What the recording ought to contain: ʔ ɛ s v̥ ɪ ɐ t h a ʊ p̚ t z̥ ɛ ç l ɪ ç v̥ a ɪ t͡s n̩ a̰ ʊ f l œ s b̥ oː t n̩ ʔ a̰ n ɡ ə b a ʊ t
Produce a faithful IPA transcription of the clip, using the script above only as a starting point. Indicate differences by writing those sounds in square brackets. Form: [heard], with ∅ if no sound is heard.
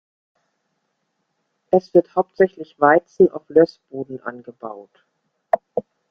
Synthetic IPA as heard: ʔ ɛ s v̥ ɪ ɐ t h a ʊ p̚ t z̥ ɛ ç l ɪ ç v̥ a ɪ t͡s n̩ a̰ ʊ f l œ s b̥ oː [d] n̩ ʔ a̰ n ɡ ə b a ʊ t